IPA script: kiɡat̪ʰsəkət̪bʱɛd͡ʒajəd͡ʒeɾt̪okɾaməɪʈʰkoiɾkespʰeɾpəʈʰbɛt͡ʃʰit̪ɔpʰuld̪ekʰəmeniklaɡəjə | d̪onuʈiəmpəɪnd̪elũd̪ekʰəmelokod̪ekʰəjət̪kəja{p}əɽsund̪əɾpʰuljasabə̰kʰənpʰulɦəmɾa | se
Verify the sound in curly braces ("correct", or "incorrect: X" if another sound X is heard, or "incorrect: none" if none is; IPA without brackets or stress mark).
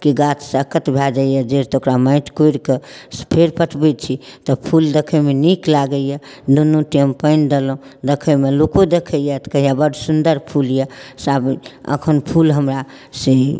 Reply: incorrect: b